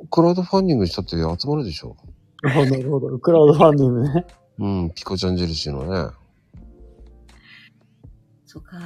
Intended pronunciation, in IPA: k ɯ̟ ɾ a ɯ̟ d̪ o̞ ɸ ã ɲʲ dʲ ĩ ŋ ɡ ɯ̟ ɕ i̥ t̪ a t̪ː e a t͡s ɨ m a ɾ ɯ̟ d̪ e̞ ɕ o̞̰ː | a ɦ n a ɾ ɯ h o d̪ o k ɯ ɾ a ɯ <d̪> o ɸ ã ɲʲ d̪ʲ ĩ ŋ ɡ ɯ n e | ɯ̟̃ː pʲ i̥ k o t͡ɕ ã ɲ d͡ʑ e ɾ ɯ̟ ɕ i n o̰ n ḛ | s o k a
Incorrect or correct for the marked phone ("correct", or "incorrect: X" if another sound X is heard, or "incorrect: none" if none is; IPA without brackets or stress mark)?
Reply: correct